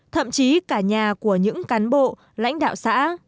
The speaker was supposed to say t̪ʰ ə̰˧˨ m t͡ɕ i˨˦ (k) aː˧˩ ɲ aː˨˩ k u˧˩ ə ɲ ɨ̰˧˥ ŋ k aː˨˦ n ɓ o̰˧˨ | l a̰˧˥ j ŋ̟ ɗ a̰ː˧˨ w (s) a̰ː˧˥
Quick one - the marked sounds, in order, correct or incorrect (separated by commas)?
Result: correct, correct